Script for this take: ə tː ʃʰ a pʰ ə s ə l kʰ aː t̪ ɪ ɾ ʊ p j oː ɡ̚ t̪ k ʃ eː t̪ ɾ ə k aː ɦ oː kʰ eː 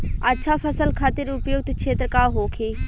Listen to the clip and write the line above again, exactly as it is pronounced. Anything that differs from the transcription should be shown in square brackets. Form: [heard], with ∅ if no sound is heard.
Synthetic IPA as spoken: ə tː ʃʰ a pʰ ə s ə l kʰ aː t̪ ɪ ɾ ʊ p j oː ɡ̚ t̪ k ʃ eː t̪ ɾ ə k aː ɦ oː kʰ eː